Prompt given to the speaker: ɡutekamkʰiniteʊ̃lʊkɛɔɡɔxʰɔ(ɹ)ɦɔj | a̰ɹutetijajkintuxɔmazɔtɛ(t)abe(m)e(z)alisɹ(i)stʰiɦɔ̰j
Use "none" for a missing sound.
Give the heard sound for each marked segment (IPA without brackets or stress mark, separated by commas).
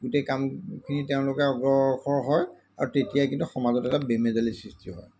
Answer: ɹ, t, m, z, i